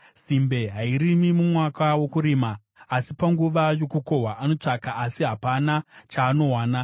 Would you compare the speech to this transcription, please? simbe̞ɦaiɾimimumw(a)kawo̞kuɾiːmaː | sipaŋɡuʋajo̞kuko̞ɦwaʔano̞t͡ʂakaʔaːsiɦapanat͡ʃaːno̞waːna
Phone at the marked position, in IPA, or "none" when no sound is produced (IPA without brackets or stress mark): a